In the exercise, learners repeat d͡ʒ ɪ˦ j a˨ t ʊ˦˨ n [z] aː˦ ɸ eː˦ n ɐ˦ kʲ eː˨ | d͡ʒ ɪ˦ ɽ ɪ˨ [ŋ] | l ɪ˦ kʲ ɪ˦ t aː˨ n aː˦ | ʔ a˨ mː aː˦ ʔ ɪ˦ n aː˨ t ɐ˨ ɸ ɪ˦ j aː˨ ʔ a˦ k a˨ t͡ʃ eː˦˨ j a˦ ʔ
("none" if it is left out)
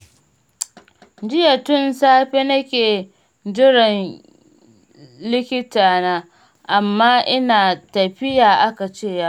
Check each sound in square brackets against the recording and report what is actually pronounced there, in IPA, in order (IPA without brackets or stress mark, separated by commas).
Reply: s, n